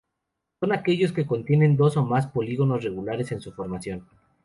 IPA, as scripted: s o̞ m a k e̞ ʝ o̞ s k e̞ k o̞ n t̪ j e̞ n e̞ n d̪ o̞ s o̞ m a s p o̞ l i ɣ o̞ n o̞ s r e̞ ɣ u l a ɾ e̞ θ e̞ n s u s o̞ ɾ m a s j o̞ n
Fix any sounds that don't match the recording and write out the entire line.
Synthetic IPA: s o̞ n a k e̞ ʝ o̞ s k e̞ k o̞ n t̪ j e̞ n e̞ n d̪ o̞ s o̞ m a s p o̞ l i ɣ o̞ n o̞ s r e̞ ɣ u l a ɾ e̞ s e̞ n s u f o̞ ɾ m a s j o̞ n